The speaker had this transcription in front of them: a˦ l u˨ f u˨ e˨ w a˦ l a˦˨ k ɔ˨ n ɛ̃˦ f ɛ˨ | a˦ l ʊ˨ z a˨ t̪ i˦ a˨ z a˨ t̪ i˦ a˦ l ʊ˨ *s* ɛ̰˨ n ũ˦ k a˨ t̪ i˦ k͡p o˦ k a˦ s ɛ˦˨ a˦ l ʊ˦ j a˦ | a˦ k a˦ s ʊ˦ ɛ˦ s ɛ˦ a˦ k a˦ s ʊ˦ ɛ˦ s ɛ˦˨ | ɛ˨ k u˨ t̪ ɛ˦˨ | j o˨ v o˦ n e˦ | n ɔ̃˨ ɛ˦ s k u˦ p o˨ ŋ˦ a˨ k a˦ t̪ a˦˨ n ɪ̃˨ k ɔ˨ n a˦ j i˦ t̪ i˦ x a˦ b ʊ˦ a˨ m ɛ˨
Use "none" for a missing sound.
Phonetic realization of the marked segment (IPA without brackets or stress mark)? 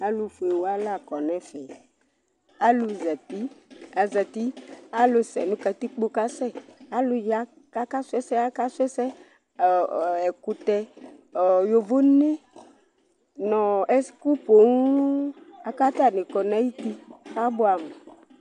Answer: s